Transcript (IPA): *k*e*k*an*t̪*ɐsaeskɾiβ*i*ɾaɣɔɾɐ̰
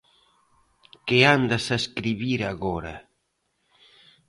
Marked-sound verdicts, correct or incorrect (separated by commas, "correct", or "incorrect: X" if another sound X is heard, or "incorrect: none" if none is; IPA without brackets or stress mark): correct, incorrect: none, incorrect: d̪, correct